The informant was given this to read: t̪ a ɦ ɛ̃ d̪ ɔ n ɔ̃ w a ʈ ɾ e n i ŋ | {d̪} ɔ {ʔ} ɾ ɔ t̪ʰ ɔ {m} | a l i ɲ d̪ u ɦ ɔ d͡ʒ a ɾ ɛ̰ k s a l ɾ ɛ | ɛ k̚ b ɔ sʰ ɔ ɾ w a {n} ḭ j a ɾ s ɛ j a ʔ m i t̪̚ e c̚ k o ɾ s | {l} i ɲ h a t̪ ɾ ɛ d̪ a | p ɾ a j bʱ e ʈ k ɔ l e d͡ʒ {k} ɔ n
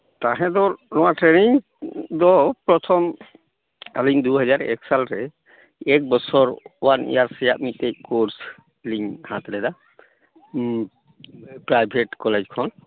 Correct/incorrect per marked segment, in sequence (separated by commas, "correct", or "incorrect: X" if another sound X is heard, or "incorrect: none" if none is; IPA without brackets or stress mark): correct, incorrect: p, correct, correct, correct, incorrect: kʰ